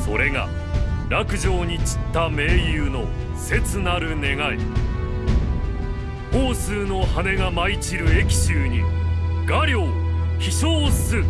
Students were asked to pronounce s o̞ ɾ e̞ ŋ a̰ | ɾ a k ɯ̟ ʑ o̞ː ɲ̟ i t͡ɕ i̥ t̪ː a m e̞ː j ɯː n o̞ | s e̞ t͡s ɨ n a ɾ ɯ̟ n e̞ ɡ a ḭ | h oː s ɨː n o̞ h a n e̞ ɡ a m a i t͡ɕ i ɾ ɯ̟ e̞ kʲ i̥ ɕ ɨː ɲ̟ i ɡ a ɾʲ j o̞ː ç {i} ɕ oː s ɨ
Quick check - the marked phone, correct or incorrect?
correct